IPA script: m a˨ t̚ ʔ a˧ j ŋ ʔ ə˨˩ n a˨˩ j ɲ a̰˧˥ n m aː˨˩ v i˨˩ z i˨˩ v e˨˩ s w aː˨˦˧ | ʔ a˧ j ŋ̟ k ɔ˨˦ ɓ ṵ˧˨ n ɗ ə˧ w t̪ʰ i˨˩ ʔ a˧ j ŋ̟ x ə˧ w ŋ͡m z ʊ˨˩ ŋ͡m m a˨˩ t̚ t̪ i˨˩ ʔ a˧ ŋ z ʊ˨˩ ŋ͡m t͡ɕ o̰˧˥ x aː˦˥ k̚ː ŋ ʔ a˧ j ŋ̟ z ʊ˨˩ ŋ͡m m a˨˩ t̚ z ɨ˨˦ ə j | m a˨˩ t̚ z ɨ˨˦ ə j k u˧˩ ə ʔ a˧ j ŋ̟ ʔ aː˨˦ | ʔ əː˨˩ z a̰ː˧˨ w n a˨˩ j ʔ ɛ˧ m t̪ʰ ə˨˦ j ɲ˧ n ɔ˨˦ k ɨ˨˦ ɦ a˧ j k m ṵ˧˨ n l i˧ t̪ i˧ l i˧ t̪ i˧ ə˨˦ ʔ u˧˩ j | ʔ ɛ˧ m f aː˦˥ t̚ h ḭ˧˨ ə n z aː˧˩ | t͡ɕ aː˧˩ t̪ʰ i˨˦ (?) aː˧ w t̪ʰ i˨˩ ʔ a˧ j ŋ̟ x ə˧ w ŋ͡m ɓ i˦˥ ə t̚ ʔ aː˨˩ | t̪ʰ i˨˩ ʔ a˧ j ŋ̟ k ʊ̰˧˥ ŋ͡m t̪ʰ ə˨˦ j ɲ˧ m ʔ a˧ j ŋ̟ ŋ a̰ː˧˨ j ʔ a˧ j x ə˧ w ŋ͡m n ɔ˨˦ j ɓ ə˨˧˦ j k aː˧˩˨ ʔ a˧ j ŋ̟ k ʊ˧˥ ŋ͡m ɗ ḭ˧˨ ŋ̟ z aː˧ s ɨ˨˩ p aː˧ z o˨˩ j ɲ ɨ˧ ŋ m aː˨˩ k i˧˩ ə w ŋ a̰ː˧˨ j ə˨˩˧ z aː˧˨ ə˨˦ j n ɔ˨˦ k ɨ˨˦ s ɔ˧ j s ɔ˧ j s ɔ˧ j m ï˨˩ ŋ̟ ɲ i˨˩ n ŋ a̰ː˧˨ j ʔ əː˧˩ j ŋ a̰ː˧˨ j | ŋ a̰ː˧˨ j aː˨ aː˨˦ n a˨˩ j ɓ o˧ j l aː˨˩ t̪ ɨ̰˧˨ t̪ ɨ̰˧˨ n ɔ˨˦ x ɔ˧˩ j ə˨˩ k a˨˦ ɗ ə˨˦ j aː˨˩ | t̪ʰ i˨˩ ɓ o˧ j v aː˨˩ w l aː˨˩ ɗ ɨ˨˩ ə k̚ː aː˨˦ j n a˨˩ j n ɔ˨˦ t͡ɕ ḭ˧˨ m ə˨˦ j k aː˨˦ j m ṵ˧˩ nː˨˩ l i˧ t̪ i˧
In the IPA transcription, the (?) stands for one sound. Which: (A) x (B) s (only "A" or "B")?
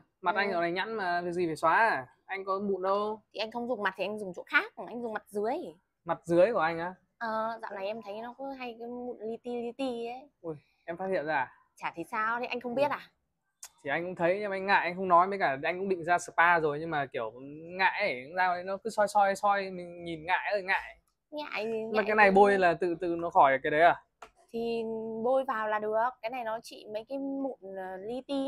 B